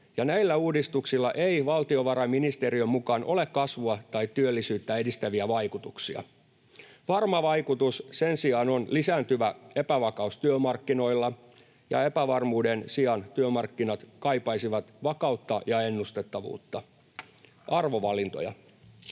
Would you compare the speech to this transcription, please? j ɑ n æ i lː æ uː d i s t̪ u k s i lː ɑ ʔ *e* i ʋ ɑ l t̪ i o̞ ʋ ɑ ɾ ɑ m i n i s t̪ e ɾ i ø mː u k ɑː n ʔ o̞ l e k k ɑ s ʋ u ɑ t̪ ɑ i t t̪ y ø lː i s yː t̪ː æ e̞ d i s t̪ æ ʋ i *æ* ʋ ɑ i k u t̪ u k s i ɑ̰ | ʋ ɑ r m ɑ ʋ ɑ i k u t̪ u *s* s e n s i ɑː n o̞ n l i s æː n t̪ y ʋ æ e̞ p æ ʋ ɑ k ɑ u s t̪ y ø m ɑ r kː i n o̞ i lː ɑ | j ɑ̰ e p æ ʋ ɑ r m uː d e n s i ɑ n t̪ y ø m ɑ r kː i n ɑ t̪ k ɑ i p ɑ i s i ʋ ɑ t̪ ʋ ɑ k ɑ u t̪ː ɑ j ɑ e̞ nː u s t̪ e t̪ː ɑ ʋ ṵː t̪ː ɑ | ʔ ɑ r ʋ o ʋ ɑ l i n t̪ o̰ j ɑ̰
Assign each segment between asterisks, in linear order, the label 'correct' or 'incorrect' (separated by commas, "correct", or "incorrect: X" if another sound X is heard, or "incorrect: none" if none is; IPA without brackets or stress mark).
correct, correct, correct